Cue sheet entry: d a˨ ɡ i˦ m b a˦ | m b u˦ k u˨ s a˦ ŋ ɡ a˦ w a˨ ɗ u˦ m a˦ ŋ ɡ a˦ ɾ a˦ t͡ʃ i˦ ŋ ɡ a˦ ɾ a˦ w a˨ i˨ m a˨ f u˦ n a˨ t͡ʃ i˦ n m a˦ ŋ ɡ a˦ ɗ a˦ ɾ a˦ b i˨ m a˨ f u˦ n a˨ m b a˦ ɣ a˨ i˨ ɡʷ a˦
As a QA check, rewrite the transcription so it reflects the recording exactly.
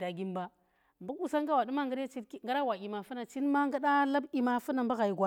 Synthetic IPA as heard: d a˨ ɡ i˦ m b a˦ | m b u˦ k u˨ s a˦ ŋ ɡ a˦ w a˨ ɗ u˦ m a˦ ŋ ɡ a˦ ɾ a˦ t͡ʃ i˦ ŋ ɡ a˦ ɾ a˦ w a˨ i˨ m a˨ f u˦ n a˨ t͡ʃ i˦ n m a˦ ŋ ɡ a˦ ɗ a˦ l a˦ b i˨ m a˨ f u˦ n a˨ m b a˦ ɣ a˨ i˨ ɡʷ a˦